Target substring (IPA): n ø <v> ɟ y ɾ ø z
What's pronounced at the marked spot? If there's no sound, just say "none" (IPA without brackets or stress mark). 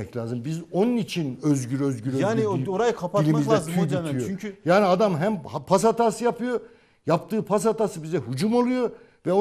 z